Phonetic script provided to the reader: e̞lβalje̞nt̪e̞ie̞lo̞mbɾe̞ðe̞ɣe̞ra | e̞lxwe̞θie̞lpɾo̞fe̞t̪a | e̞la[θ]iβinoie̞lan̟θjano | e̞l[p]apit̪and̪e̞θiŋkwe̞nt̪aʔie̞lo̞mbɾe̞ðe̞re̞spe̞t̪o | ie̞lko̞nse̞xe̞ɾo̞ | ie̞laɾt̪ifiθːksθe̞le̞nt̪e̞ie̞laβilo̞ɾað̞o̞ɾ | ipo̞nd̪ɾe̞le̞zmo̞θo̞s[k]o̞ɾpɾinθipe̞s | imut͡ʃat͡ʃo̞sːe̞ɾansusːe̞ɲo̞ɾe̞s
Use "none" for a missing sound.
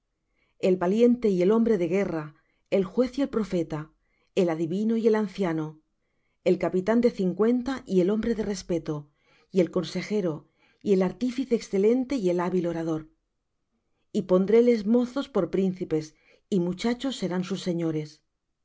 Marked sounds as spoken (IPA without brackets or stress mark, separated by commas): ð, k, p